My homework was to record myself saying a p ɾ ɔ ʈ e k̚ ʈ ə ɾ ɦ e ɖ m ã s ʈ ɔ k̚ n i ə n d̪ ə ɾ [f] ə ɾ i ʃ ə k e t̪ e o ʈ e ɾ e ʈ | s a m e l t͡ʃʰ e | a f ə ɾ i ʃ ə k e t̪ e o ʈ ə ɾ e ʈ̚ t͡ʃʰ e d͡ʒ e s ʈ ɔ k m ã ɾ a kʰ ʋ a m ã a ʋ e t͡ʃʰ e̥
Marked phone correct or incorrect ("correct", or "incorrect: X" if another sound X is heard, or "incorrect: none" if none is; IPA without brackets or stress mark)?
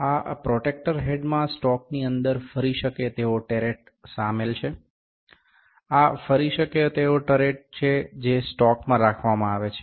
correct